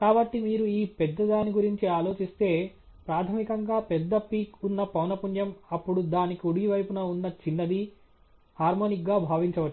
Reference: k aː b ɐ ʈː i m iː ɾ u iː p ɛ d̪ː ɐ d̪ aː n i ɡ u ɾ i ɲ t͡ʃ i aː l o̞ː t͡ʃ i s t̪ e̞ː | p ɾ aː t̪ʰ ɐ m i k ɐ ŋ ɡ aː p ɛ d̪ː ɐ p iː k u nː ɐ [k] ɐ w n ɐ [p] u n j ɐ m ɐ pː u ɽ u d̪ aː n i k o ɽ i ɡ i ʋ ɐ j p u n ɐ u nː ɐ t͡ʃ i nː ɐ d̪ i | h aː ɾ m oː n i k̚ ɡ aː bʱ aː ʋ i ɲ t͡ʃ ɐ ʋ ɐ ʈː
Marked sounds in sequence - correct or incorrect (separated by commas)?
incorrect, correct